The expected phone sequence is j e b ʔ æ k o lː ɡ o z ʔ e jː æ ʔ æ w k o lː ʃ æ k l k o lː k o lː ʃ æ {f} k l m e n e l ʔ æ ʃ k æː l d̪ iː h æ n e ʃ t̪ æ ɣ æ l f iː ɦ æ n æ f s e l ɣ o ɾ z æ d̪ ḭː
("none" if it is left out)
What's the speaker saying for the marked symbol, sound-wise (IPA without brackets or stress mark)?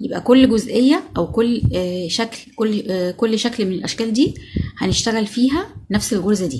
none